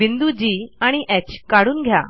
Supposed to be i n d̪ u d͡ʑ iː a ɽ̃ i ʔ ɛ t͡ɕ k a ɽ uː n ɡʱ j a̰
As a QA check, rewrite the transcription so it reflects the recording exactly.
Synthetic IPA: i n d̪ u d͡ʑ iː a ɽ̃ i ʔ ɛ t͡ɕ k a ɽ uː n ɡʱ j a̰